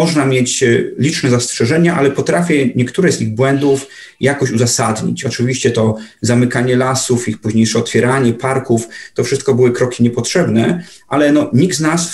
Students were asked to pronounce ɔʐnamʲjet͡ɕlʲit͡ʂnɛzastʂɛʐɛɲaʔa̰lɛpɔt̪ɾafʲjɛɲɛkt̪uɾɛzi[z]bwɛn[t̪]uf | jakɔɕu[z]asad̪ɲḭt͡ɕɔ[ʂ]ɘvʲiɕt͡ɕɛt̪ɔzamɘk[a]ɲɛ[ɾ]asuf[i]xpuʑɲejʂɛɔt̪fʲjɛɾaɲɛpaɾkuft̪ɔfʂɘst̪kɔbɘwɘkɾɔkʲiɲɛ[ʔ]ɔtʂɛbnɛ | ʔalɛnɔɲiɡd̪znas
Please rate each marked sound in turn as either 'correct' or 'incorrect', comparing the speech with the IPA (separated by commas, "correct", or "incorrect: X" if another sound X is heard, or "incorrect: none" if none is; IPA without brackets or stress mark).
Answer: incorrect: ɣ, incorrect: d̪, correct, incorrect: t͡ʂ, correct, incorrect: l, correct, incorrect: p